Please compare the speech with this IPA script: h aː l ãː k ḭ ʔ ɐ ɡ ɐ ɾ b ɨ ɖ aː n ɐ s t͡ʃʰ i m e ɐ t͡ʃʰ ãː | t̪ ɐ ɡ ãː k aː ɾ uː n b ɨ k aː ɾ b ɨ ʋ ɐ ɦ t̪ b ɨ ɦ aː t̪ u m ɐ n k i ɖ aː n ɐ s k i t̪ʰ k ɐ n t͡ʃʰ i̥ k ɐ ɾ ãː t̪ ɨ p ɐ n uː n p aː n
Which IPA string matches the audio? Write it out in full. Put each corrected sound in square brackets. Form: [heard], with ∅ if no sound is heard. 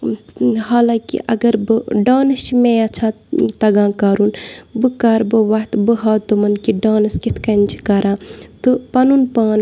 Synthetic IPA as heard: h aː l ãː k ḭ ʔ ɐ ɡ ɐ ɾ b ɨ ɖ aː n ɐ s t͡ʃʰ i m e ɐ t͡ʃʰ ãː | t̪ ɐ ɡ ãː k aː ɾ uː n b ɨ k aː ɾ b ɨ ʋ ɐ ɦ t̪ b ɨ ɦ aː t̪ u m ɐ n k i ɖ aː n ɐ s k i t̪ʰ k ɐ n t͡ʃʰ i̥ k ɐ ɾ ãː t̪ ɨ p ɐ n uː n p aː n